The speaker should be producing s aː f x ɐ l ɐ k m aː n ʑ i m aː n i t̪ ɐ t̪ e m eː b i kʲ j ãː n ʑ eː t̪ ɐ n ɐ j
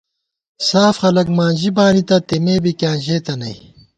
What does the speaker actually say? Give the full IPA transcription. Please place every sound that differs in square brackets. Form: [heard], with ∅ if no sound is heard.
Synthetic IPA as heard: s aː f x ɐ l ɐ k m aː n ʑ i [b] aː n i t̪ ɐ t̪ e m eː b i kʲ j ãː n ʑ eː t̪ ɐ n ɐ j